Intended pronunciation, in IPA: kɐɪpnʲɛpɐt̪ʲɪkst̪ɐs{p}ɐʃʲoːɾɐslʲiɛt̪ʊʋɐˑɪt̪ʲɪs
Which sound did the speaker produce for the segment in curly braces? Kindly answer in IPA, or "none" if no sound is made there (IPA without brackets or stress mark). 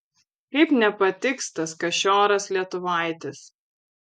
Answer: k